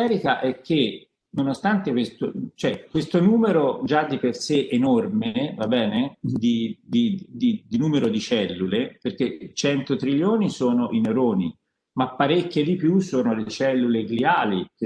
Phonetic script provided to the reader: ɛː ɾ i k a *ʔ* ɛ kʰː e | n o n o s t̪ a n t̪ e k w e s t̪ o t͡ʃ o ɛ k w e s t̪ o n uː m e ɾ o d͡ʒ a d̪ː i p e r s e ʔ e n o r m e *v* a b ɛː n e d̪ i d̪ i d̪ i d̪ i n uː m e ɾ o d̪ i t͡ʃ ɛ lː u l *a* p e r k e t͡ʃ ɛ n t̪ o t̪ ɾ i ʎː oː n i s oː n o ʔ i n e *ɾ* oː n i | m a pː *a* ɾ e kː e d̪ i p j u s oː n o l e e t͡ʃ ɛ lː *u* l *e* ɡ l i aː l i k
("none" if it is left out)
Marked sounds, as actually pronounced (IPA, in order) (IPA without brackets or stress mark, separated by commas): ʔ, v, e, ɾ, a, u, e